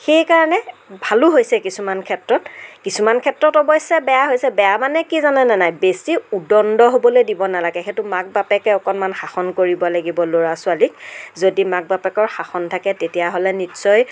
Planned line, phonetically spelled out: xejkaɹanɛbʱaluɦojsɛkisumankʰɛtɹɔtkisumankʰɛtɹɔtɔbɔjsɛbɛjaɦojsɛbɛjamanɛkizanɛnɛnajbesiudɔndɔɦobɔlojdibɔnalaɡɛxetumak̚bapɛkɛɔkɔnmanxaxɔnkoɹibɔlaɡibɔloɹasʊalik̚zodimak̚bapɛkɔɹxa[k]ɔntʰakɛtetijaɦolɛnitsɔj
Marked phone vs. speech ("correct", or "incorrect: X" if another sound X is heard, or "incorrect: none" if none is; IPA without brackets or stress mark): incorrect: x